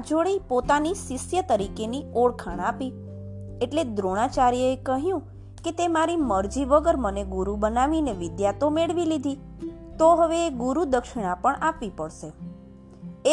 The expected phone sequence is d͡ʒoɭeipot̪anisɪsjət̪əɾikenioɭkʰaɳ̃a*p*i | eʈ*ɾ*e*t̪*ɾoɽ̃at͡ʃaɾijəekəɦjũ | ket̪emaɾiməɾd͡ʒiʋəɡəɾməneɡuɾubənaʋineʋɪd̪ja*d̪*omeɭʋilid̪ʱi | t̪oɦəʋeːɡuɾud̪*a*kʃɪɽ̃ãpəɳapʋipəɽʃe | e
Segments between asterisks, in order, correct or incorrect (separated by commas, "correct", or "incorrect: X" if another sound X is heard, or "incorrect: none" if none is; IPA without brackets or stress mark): correct, incorrect: l, incorrect: d̪, incorrect: t̪, incorrect: ə